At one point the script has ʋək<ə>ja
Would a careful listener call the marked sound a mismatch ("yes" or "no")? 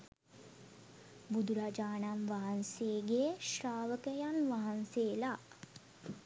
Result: no